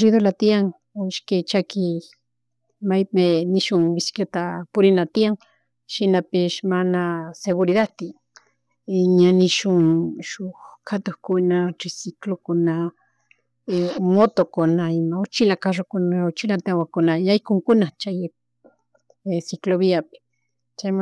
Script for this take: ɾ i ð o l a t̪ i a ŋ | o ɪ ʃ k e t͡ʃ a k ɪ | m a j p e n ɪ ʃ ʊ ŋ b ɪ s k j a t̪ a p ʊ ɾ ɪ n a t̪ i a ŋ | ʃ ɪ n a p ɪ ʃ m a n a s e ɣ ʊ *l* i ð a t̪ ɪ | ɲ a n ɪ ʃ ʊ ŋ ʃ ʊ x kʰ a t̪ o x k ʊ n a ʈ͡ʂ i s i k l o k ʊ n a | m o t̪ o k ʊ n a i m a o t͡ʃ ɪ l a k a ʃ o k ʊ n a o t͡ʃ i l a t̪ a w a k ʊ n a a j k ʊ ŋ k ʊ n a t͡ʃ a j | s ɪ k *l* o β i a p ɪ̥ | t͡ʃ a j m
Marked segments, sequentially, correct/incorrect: incorrect, correct

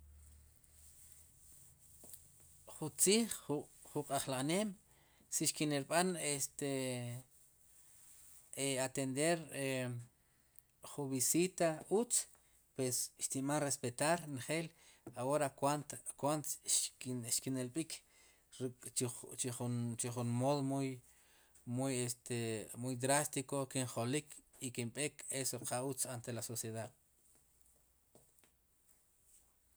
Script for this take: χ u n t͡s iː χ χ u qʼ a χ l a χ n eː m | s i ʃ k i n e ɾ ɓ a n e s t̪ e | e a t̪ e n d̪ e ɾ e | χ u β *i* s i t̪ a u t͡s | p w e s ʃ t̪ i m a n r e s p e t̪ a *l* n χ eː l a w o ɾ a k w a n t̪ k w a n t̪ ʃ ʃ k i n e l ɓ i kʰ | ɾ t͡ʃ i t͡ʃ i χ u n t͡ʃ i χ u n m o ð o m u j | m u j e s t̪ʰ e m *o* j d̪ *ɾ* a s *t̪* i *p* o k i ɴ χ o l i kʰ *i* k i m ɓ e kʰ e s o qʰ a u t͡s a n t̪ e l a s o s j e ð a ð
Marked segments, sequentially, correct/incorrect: correct, incorrect, incorrect, correct, correct, incorrect, correct

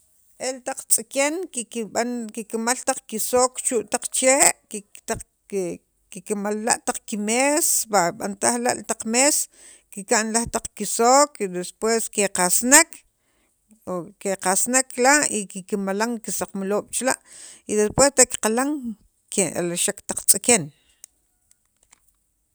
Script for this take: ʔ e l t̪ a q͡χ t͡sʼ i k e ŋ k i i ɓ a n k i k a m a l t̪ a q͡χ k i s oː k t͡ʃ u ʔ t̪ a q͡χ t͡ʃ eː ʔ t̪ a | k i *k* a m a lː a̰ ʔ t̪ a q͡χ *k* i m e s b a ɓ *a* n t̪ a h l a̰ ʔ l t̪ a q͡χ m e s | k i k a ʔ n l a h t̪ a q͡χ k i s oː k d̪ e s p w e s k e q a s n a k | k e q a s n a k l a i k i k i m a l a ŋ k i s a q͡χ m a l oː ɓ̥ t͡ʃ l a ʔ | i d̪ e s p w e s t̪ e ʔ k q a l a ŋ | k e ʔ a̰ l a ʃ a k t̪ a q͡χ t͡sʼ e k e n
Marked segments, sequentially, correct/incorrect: correct, correct, correct

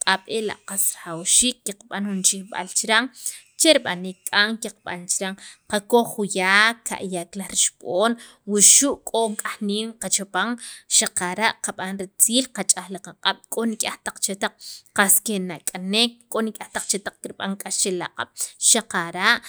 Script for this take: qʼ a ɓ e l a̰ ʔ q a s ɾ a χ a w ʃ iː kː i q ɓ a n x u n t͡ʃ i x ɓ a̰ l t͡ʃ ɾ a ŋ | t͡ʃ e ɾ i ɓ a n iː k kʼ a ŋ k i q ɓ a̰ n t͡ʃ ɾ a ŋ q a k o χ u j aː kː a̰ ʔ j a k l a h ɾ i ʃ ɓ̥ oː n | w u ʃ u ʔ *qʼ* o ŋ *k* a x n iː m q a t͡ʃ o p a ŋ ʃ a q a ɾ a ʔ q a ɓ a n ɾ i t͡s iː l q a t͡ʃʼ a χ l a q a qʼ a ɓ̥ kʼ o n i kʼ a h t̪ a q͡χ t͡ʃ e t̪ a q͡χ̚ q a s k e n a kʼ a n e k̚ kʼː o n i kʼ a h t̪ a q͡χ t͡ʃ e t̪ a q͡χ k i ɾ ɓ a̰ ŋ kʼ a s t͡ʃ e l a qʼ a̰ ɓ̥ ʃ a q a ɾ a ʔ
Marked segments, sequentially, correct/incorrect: incorrect, incorrect

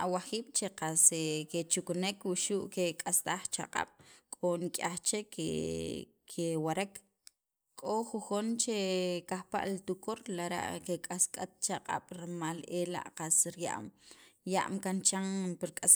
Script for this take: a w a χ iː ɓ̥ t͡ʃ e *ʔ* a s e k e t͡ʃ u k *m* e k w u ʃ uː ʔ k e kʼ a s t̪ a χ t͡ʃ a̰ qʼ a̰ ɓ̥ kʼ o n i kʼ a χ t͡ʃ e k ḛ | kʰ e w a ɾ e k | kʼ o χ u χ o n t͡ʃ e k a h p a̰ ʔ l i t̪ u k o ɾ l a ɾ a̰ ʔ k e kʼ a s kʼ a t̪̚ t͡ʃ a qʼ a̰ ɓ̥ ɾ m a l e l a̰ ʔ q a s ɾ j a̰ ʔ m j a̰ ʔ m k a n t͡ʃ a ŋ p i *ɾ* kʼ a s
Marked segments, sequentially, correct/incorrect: incorrect, incorrect, correct

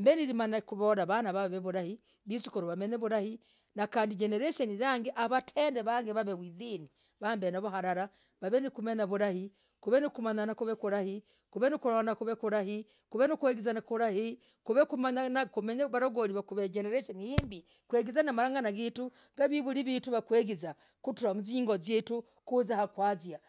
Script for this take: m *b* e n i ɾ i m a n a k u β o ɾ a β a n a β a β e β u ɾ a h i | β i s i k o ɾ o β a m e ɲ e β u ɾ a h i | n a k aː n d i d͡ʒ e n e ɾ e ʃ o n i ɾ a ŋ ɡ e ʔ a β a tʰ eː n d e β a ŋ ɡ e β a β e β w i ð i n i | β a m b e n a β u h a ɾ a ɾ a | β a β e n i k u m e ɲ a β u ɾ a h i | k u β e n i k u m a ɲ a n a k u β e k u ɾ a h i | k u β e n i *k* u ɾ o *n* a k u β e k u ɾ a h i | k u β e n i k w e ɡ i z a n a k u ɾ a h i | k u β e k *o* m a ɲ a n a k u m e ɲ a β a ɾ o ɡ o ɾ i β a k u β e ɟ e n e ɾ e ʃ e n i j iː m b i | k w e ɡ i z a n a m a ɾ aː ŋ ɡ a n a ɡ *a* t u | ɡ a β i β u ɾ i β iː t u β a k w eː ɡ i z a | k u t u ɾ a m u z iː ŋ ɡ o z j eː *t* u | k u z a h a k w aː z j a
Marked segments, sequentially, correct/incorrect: correct, correct, correct, incorrect, incorrect, correct

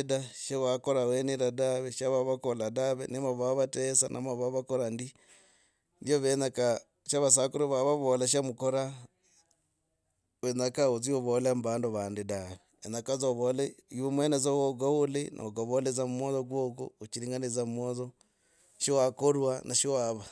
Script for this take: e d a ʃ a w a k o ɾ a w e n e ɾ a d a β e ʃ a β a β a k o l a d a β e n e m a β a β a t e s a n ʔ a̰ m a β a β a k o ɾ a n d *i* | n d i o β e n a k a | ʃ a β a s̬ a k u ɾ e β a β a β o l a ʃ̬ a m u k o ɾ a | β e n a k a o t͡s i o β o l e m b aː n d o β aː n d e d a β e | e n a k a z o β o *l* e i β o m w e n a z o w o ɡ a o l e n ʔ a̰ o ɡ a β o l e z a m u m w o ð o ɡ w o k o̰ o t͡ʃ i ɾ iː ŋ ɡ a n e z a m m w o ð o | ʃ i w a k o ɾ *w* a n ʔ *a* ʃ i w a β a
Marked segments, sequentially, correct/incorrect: correct, correct, correct, correct

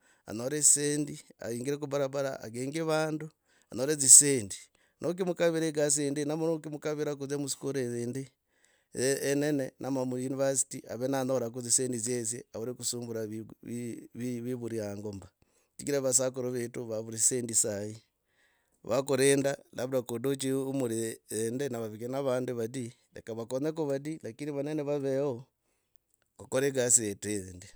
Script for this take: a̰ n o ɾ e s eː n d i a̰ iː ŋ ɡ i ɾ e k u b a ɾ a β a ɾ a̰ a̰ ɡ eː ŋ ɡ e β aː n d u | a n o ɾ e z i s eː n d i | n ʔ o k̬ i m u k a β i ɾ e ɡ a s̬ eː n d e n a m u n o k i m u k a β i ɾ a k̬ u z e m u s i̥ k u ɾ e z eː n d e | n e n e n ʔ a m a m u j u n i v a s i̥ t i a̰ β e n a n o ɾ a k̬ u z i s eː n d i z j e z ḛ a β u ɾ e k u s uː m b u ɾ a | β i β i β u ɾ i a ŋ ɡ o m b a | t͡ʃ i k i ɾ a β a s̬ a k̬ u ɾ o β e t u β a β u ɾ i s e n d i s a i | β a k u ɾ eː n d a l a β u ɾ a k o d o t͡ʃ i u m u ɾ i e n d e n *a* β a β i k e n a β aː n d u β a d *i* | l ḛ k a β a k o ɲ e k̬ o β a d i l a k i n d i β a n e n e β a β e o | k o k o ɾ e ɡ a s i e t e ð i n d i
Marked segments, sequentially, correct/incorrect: correct, correct

